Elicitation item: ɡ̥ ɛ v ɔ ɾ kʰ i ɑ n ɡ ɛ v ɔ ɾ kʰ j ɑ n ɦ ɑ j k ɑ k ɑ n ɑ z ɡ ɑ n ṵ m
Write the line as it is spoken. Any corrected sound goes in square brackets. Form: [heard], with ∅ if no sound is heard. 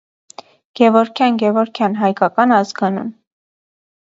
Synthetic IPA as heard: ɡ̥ ɛ v ɔ ɾ kʰ [j] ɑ n ɡ ɛ v ɔ ɾ kʰ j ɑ n ɦ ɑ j k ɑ k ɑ n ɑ z ɡ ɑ n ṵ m